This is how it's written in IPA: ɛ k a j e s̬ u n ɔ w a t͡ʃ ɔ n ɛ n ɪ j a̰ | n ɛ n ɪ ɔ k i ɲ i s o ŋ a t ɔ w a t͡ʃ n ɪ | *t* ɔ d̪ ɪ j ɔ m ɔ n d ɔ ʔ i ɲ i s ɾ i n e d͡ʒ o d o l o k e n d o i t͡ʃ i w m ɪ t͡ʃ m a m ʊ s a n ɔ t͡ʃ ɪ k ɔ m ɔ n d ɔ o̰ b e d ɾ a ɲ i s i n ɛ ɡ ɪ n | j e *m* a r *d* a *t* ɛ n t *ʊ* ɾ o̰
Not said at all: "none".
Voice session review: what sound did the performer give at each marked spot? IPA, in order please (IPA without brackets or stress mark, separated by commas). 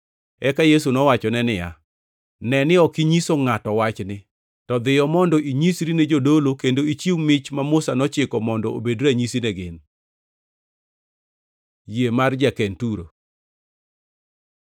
t, m, d͡ʒ, k, u